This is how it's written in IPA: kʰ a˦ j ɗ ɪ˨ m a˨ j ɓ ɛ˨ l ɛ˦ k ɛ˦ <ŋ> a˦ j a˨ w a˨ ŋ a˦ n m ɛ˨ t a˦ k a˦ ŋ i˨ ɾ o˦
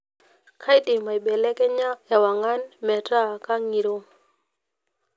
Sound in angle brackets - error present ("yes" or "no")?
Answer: yes